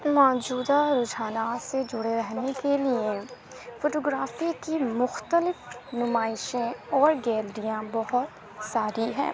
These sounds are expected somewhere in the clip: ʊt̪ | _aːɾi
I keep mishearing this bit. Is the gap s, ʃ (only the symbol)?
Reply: s